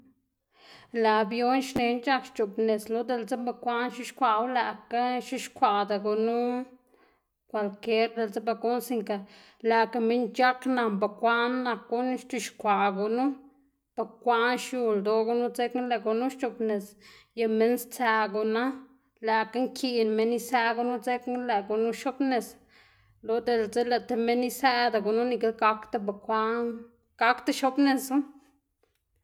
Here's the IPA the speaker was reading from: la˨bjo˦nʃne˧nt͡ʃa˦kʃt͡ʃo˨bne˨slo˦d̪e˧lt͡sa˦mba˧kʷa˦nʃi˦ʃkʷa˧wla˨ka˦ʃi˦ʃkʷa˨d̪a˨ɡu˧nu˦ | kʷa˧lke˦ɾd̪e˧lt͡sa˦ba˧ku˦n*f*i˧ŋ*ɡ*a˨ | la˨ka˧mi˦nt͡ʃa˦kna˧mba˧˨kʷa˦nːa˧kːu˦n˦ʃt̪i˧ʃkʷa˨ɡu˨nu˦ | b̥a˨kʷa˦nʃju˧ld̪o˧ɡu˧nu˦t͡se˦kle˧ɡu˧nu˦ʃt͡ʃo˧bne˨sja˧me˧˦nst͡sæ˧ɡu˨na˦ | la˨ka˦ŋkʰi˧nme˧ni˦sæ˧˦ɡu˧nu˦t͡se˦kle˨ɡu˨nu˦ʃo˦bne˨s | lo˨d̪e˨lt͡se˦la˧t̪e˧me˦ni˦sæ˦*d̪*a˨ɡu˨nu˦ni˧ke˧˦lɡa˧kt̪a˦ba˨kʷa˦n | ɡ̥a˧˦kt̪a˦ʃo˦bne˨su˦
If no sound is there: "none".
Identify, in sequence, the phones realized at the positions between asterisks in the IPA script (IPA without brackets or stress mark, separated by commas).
s, k, d̪